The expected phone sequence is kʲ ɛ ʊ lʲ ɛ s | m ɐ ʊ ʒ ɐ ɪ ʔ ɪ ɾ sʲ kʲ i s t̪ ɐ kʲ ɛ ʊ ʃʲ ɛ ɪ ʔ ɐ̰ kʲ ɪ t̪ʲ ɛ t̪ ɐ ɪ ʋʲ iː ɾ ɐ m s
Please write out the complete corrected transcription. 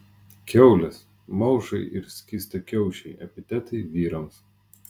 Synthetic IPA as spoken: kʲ ɛ ʊ lʲ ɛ s | m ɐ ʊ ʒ ɐ ɪ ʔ ɪ ɾ sʲ kʲ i s t̪ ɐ kʲ ɛ ʊ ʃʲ ɛ ɪ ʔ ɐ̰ pʲ ɪ t̪ʲ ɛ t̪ ɐ ɪ ʋʲ iː ɾ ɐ m s